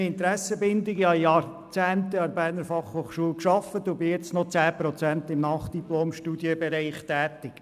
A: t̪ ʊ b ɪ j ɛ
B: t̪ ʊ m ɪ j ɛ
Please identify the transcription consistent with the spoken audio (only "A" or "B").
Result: A